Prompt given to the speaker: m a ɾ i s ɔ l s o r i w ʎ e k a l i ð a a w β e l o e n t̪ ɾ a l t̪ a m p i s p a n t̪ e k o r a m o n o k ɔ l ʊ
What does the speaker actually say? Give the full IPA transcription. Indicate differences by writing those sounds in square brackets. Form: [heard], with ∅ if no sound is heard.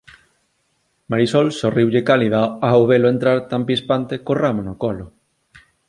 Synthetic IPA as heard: m a ɾ i s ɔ l s o r i w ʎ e k a l i ð a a w β e l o e n t̪ ɾ a [ɾ] t̪ a m p i s p a n t̪ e k o r a m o n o k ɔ l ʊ